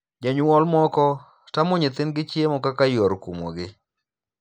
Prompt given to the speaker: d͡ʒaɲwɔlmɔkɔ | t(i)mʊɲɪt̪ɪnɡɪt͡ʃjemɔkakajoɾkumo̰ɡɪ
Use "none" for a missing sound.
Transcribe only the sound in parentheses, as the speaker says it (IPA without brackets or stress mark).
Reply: a